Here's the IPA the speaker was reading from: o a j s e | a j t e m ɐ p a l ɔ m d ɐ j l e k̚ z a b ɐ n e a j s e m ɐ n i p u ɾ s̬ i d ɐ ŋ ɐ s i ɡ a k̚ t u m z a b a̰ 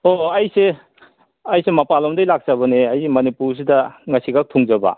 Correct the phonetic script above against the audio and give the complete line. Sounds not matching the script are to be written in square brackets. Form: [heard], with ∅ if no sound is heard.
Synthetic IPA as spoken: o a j s e | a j [s] e m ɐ p a l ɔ m d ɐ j l [a] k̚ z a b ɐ n e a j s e m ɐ n i p u ɾ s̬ i d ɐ ŋ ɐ s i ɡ a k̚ [tʰ] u [ŋ] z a b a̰